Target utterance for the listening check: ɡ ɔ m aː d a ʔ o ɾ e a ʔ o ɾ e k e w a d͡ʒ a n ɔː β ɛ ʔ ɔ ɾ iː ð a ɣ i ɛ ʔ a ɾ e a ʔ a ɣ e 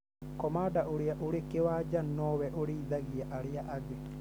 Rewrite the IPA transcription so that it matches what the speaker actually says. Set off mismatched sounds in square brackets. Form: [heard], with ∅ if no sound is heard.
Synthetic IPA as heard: [k] ɔ m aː d a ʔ o ɾ e a ʔ o ɾ e k e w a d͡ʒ a n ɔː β ɛ ʔ [o] ɾ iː ð a ɣ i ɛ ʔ a ɾ e a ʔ a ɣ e